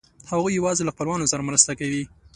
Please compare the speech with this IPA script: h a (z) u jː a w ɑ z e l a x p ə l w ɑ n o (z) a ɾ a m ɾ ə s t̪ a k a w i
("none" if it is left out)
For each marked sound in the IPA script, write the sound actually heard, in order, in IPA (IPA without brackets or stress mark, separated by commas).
ɣ, s